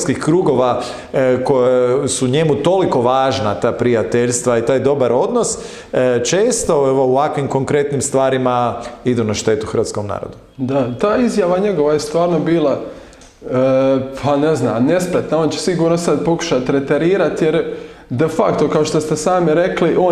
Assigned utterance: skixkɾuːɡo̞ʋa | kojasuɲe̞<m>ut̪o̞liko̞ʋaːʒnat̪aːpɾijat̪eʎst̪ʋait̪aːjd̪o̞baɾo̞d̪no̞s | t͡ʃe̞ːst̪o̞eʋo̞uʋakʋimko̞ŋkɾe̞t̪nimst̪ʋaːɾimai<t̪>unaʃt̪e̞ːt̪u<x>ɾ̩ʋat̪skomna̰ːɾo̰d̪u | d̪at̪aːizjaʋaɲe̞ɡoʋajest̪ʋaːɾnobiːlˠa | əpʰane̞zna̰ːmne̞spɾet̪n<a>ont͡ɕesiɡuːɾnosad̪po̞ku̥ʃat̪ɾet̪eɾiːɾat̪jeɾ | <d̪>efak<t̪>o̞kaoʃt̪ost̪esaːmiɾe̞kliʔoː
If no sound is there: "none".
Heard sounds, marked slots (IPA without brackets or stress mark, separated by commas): m, d̪, x, a, d̪, t̪